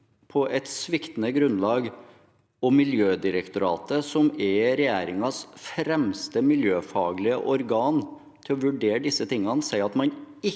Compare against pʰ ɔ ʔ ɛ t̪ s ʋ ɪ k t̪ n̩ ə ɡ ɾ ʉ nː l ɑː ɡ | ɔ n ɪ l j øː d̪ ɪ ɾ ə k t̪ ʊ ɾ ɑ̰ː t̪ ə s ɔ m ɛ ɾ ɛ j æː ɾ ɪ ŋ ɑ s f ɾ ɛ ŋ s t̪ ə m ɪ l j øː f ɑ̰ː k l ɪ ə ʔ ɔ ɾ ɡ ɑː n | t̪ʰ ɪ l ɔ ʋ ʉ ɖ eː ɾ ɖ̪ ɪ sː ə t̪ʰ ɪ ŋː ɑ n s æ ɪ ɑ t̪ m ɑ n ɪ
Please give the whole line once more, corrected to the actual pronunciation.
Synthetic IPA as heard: pʰ ɔ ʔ ɛ t̪ s ʋ ɪ k t̪ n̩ ə ɡ ɾ ʉ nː l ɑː ɡ | ɔ m ɪ l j øː d̪ ɪ ɾ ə k t̪ ʊ ɾ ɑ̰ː t̪ ə s ɔ m ɛ ɾ ɛ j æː ɾ ɪ ŋ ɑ s f ɾ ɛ m s t̪ ə m ɪ l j øː f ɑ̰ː ɡ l ɪ ə ʔ ɔ ɾ ɡ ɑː n | t̪ʰ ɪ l ɔ ʋ ʉ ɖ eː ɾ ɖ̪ ɪ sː ə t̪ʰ ɪ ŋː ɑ n s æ ɪ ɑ t̪ m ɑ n ɪ